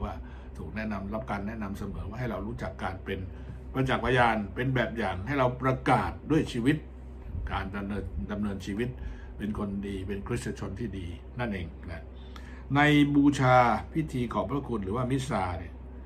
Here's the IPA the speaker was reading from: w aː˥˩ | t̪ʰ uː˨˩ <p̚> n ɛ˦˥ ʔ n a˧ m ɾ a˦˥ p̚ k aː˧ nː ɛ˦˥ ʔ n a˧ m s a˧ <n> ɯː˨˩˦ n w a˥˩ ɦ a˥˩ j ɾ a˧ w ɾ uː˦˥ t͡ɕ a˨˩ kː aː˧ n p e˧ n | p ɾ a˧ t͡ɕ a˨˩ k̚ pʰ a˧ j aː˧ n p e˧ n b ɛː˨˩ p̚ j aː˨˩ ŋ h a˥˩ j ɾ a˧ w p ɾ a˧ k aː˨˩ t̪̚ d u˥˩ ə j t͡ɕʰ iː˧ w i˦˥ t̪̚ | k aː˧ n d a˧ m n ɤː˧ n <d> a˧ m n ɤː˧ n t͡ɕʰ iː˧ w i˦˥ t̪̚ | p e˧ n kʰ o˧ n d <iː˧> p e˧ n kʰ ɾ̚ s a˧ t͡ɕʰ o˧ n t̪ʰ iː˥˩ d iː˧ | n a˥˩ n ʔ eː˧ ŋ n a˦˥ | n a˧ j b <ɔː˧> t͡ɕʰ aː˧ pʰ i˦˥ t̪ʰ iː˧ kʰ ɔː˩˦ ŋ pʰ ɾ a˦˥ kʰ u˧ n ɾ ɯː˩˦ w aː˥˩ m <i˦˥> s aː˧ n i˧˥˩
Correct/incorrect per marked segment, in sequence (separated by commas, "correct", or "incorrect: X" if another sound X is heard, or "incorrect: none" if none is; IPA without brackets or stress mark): incorrect: k̚, incorrect: m, correct, correct, incorrect: uː˧, correct